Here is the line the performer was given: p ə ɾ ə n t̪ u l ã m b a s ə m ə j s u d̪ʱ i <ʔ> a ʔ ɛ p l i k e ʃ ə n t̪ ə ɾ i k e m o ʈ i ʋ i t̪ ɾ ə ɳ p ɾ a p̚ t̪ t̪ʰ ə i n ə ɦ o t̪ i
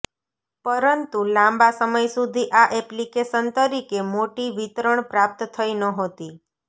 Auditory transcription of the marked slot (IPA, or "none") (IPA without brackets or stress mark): ʔ